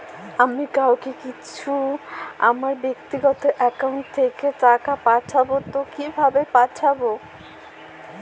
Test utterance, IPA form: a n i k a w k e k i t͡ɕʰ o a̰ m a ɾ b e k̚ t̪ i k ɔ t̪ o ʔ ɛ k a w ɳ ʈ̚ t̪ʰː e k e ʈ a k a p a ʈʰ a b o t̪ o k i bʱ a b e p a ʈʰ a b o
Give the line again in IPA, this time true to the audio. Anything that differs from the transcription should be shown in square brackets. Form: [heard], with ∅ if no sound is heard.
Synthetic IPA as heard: a [m] i k a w k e k i t͡ɕʰ [u] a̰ m a ɾ b e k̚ t̪ i [ɡ] ɔ t̪ o ʔ ɛ k a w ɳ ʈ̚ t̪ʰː e k e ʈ a k a p a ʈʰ a b o t̪ o k i bʱ a b e p a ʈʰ a b o